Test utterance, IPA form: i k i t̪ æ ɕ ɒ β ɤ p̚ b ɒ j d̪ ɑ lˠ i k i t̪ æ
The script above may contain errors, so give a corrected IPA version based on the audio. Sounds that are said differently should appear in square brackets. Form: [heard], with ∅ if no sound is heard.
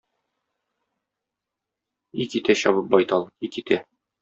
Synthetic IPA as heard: i k i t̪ æ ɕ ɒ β ɤ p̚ b ɒ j [t̪] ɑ lˠ i k i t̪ æ